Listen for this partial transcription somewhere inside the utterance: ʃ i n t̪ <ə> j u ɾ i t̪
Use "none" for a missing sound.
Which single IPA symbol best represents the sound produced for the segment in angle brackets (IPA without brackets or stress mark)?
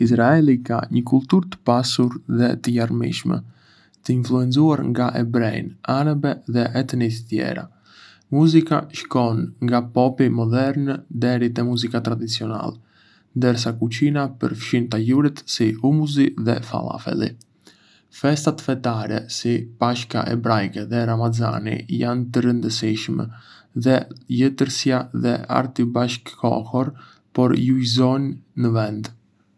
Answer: a